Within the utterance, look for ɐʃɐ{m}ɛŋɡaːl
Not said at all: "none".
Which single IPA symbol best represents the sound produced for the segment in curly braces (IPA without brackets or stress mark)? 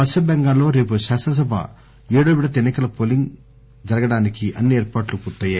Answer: b